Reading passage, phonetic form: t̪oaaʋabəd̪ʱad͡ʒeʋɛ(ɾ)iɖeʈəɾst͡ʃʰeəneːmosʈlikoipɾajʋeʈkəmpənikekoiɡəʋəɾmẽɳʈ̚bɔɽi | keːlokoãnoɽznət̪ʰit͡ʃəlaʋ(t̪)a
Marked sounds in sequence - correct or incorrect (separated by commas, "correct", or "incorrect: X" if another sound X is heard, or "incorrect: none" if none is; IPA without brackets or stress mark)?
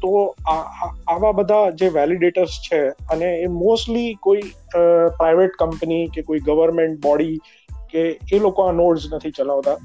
incorrect: l, correct